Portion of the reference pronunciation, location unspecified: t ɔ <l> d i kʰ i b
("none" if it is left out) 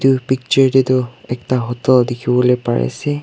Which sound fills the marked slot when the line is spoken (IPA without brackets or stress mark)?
l